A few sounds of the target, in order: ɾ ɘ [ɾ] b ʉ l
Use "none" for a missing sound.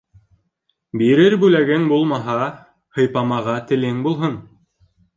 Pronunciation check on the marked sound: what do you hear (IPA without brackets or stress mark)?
ɾ